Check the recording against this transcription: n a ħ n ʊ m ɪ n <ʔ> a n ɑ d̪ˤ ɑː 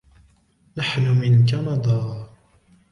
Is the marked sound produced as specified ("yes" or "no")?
no